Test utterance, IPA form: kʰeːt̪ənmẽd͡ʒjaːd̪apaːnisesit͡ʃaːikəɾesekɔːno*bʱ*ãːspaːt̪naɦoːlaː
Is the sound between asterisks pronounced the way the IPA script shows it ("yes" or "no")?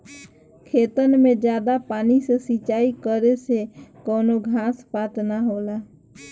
no